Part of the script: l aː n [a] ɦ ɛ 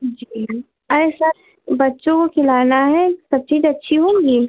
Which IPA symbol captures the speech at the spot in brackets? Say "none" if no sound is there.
a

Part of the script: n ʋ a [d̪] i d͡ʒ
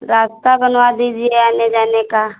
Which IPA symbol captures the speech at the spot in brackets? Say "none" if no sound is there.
d̪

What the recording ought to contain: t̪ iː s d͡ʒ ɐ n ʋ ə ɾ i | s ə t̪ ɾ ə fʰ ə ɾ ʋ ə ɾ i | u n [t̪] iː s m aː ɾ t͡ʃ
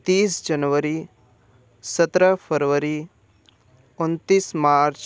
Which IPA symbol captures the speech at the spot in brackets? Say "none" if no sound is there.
t̪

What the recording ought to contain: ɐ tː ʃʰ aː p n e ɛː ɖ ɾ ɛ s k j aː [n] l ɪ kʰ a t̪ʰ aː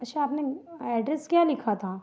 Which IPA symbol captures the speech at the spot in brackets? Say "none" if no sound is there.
none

